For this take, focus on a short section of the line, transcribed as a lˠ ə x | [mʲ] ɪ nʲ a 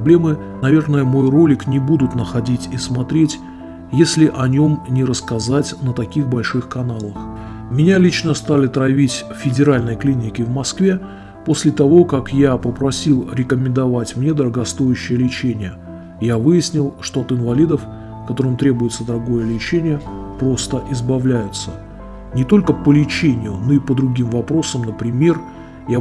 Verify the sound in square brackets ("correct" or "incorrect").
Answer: correct